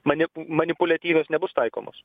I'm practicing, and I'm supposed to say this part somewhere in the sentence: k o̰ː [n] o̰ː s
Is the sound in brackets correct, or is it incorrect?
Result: incorrect